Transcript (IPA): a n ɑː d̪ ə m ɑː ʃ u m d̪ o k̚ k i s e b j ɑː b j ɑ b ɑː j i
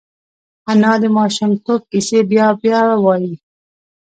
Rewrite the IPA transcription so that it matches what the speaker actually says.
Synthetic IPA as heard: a n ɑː d̪ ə m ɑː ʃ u m t̪ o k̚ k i s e b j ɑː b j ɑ w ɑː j i